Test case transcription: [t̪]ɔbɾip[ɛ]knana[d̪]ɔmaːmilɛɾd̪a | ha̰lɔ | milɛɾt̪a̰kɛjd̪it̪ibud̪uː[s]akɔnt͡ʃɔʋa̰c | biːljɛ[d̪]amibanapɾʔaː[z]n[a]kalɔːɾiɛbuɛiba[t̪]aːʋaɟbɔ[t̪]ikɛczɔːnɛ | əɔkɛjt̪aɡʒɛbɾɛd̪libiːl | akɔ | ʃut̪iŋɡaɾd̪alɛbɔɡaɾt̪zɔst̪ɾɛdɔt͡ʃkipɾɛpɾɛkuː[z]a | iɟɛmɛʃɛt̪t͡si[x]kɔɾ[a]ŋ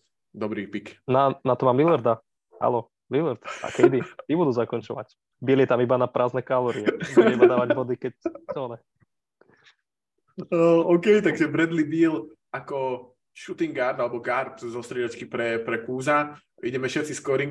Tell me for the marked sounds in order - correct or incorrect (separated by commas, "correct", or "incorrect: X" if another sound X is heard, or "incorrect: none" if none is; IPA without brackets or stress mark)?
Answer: incorrect: d̪, incorrect: i, incorrect: t̪, incorrect: z, incorrect: t̪, correct, incorrect: ɛ, incorrect: d̪, incorrect: d̪, correct, incorrect: s, incorrect: i